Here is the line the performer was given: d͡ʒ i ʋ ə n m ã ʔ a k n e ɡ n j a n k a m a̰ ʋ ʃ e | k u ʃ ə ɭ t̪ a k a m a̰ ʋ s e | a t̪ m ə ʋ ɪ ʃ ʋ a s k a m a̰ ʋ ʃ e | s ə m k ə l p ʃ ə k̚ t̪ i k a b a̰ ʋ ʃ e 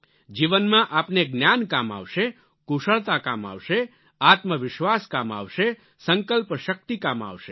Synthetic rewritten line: d͡ʒ i ʋ ə n m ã ʔ a p n e ɡ n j a n k a m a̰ ʋ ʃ e | k u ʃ ə ɭ t̪ a k a m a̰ ʋ ʃ e | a t̪ m ə ʋ ɪ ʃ ʋ a s k a m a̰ ʋ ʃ e | s ə ŋ k ə l p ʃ ə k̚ t̪ i k a m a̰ ʋ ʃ e